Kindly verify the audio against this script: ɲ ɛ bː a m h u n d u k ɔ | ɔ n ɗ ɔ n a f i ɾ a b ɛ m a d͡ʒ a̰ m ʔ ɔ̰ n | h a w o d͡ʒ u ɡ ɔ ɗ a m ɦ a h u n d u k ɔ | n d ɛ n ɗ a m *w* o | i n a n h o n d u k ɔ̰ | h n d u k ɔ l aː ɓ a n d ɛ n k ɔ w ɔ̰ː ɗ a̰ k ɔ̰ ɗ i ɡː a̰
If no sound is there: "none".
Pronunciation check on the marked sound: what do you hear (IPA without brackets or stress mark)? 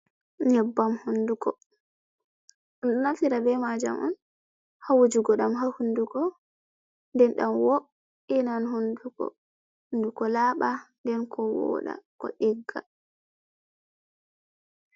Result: w